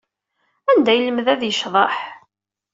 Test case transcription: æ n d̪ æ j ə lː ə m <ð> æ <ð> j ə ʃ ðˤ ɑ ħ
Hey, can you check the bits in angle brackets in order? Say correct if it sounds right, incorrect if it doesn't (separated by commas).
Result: correct, correct